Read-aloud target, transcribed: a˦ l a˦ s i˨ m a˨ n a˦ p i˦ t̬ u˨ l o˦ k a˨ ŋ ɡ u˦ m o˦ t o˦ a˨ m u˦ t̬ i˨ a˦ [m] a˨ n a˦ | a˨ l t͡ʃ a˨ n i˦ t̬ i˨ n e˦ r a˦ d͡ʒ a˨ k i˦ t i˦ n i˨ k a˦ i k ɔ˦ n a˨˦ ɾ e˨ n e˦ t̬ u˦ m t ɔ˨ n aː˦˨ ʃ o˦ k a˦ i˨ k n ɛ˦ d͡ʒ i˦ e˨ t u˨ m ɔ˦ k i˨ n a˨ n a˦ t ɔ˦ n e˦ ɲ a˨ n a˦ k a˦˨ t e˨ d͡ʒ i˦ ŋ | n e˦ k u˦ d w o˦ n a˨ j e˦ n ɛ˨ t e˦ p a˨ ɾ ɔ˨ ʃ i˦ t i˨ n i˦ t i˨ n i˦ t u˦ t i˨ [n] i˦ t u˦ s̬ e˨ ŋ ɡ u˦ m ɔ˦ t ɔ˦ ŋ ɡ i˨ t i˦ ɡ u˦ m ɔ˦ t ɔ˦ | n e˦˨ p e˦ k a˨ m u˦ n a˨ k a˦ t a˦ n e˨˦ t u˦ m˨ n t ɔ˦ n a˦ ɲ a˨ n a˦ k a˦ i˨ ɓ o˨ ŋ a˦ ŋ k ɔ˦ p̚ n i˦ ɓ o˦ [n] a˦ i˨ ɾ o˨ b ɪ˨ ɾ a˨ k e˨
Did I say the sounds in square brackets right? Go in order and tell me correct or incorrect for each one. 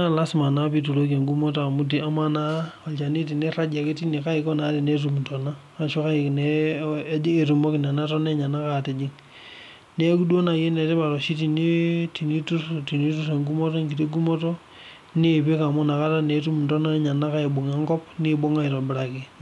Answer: correct, correct, incorrect: ŋ

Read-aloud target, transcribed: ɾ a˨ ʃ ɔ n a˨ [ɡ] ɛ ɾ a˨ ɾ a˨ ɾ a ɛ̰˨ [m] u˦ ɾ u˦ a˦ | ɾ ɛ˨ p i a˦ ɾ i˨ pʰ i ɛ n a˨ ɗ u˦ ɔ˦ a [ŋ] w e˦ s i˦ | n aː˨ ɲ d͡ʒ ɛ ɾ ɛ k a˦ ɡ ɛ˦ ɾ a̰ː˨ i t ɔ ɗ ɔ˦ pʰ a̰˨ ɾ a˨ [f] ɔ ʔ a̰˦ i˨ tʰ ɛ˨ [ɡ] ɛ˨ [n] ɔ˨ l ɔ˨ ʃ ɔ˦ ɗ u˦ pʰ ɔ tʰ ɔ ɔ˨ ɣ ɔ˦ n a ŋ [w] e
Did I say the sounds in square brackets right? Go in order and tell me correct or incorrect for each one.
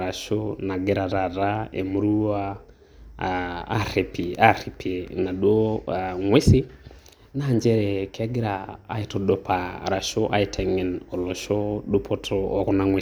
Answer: correct, correct, correct, incorrect: ʃ, incorrect: ŋ, correct, correct

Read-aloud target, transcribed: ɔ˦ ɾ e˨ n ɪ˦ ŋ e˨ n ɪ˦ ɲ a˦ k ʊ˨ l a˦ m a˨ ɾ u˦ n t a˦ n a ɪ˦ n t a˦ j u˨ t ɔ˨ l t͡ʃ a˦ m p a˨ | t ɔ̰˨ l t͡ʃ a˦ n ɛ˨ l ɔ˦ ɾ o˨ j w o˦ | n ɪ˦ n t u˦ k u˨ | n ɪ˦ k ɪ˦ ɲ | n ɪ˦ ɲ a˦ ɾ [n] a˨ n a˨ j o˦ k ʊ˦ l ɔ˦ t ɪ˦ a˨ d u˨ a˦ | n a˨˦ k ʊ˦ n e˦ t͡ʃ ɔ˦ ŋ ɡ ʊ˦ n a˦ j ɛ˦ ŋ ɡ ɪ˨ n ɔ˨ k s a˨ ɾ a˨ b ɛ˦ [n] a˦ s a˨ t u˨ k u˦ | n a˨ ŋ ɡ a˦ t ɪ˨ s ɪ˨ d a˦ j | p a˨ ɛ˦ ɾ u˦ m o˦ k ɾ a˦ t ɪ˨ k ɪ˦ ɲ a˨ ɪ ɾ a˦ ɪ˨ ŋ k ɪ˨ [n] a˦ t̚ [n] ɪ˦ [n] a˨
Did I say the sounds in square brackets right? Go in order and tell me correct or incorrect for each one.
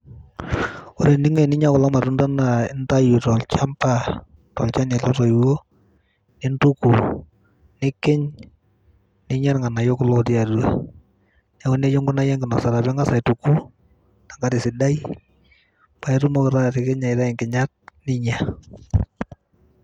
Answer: incorrect: ŋ, incorrect: ŋ, incorrect: ɲ, correct, incorrect: ɲ

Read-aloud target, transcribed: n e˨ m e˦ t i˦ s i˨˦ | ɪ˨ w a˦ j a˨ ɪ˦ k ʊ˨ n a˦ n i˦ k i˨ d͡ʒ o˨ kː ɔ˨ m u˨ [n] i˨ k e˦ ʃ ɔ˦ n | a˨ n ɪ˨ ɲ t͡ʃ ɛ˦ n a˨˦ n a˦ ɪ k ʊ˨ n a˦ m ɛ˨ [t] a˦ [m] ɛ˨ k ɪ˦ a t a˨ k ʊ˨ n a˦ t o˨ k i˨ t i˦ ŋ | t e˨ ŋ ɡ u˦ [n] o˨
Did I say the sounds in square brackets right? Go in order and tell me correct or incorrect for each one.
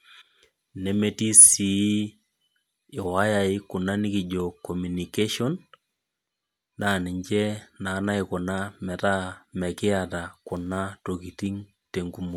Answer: correct, correct, correct, incorrect: m

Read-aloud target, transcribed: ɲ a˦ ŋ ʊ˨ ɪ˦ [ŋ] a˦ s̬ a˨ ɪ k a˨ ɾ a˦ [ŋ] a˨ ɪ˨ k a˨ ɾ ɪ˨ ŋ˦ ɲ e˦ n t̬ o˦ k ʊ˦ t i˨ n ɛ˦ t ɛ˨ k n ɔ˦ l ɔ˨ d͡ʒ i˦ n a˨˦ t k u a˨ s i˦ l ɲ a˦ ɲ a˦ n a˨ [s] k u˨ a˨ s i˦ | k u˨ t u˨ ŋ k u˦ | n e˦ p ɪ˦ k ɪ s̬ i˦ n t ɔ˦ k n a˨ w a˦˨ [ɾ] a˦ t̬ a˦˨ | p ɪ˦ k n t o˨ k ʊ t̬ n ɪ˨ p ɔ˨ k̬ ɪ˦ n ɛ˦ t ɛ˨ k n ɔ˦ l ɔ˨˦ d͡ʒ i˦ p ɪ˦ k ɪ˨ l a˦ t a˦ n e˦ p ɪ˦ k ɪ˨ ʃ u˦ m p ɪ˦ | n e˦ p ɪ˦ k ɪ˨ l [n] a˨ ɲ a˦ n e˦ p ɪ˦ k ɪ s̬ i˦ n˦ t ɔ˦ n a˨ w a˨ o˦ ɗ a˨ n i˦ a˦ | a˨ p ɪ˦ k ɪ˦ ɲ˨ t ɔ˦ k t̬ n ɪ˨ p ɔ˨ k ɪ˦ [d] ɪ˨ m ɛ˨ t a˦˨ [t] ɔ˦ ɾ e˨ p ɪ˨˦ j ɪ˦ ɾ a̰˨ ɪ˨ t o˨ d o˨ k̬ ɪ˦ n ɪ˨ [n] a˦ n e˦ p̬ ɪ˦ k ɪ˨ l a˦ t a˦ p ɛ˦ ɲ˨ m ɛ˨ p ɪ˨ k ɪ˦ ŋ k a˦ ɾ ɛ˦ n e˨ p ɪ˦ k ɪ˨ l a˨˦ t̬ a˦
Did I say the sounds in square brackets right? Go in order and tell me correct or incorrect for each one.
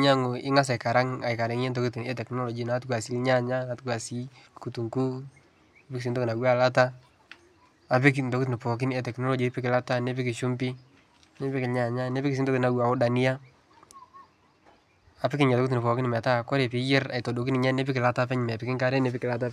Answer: correct, correct, incorrect: t, incorrect: l, incorrect: ɲ, incorrect: n, incorrect: k, incorrect: ɲ

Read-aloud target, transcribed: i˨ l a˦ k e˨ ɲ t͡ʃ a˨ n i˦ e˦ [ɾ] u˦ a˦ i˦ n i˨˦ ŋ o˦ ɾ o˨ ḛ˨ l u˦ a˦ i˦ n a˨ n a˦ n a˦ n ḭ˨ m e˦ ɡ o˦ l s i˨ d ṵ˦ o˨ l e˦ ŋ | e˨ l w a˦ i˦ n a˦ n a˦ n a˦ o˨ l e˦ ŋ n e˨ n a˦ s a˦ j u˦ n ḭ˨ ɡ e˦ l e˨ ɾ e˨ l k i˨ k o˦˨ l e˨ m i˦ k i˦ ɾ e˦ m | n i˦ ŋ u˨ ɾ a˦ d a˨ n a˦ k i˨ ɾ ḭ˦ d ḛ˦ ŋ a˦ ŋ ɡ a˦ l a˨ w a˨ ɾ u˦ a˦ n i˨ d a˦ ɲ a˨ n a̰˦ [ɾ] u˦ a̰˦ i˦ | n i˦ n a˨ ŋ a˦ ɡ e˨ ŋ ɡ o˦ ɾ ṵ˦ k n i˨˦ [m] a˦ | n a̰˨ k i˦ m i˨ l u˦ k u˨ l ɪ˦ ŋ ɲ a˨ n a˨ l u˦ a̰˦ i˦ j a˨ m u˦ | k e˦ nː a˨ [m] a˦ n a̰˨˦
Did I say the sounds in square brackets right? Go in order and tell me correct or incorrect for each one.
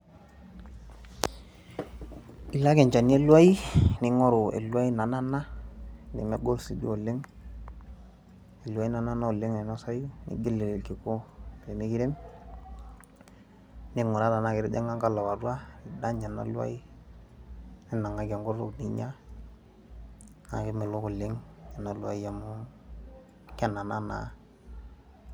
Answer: incorrect: l, incorrect: l, incorrect: ɲ, incorrect: n

